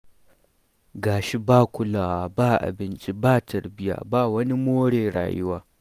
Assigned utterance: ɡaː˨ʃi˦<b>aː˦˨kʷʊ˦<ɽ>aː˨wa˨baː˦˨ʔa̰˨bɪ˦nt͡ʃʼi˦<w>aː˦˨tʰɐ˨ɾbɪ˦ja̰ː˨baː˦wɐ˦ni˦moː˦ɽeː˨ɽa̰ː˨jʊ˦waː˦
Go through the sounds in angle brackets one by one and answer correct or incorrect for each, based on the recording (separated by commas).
correct, incorrect, incorrect